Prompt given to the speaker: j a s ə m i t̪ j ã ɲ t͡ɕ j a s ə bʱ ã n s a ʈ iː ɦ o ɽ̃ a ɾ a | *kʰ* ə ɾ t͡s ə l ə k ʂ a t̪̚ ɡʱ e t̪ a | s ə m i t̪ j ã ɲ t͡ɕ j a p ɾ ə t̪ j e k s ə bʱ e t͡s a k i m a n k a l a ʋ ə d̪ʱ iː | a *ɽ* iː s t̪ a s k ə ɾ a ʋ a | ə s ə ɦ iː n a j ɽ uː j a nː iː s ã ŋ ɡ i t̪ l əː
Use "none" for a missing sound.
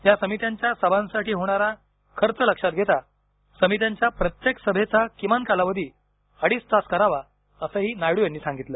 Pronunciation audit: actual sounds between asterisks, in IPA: kʰ, ɽ

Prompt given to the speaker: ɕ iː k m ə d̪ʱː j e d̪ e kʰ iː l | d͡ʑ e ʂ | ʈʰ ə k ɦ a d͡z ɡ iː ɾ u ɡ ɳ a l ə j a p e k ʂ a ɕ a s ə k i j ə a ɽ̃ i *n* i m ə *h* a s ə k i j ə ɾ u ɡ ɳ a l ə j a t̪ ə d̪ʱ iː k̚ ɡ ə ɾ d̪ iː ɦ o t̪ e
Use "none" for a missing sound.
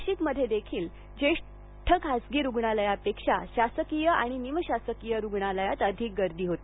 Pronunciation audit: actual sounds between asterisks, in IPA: n, ɕ

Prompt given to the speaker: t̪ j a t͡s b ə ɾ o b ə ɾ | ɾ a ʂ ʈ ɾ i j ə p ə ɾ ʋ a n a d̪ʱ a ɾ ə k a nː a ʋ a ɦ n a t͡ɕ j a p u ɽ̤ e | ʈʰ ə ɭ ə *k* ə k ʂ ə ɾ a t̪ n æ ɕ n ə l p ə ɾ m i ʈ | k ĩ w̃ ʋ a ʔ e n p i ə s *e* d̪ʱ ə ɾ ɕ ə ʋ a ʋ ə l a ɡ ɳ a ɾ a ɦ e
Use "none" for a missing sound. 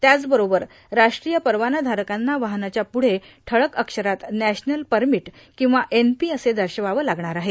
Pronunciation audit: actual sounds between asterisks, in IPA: k, e

